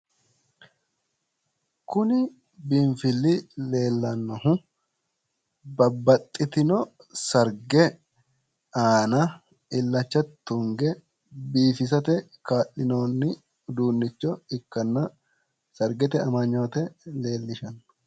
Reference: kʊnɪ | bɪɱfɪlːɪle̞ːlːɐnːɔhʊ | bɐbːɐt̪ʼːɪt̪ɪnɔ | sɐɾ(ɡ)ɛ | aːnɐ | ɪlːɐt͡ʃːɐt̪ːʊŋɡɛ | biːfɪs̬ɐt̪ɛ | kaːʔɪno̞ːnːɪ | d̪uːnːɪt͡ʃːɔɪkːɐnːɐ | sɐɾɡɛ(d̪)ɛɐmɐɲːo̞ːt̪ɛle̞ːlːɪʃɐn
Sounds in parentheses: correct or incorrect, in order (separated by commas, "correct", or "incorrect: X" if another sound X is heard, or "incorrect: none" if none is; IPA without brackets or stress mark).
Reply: correct, incorrect: t̪